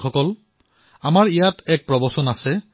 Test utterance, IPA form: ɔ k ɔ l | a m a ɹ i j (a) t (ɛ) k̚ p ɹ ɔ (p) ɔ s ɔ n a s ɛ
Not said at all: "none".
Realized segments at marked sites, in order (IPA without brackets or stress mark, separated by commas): a, ɛ, b